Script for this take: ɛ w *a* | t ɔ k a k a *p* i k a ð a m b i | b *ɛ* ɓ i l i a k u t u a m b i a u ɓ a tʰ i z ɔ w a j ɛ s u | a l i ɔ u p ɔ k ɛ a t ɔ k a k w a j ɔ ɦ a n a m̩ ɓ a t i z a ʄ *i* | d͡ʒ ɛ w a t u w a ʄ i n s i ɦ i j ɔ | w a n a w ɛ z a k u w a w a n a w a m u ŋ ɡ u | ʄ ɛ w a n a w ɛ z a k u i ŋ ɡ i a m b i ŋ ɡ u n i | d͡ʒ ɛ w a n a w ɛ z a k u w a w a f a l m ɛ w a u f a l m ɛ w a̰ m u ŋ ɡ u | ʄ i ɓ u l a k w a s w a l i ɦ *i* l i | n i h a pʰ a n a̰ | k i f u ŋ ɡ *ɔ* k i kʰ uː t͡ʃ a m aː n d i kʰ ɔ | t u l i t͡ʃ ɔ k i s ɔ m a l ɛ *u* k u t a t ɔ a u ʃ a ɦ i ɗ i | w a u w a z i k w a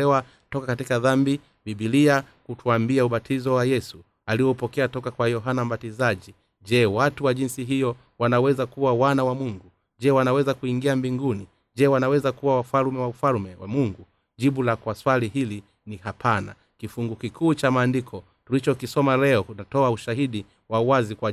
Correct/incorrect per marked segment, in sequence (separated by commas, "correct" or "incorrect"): correct, incorrect, incorrect, correct, correct, incorrect, incorrect